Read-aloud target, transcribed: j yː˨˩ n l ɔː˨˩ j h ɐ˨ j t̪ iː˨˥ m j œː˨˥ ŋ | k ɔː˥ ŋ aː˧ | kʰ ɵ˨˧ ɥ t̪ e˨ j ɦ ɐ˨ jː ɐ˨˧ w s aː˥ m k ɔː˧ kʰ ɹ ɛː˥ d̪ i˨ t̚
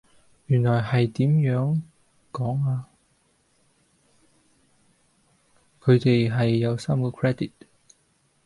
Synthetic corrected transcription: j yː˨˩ n l ɔː˨˩ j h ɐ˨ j t̪ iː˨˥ m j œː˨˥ ŋ | k ɔː˨˥ ŋ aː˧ | kʰ ɵ˨˧ ɥ t̪ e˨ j ɦ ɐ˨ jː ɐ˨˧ w s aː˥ m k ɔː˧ kʰ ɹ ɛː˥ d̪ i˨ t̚